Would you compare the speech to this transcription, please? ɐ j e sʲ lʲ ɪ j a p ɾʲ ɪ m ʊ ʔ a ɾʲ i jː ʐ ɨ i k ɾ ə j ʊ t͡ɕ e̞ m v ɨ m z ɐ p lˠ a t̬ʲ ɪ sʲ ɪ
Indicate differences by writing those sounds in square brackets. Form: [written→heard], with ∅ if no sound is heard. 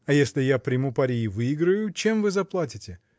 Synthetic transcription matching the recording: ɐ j e sʲ lʲ ɪ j a p ɾʲ ɪ m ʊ [ʔ→p] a ɾʲ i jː [ʐ→v] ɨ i [k→ɡ] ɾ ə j ʊ t͡ɕ e̞ m v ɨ [m→∅] z ɐ p lˠ a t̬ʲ ɪ [sʲ→tʲ] ɪ